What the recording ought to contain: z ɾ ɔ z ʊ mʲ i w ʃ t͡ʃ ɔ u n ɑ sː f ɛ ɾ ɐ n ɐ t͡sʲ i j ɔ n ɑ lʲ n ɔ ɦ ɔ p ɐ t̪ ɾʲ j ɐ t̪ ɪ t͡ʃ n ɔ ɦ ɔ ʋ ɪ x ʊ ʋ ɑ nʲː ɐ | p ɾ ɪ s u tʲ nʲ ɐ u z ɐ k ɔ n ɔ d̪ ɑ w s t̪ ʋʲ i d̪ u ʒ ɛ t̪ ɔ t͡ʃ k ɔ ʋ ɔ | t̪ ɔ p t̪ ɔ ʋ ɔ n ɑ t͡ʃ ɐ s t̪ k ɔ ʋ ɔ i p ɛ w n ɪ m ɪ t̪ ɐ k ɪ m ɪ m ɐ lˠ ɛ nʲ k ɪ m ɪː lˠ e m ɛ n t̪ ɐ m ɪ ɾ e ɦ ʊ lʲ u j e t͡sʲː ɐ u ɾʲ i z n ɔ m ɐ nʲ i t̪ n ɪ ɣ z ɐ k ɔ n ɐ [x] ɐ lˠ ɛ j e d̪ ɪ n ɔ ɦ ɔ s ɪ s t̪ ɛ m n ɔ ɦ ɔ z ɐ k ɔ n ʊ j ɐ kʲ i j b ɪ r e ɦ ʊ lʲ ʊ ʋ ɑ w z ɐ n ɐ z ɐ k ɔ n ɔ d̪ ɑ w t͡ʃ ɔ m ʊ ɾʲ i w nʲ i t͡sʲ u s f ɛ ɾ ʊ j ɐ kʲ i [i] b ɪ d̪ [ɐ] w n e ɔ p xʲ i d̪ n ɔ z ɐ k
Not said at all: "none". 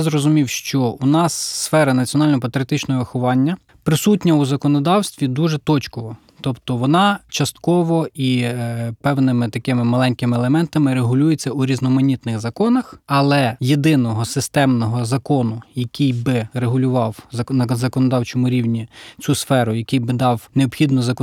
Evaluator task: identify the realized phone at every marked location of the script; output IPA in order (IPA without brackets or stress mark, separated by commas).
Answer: x, j, ɑ